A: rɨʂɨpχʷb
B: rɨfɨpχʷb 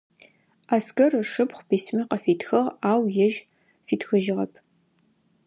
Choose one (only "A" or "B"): A